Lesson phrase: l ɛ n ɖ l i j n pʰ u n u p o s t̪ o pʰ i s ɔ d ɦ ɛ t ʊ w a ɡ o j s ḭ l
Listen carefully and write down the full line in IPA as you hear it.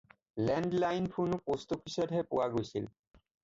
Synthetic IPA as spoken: l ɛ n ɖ l a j n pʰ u n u p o s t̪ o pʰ i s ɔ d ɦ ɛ p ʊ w a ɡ o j s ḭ l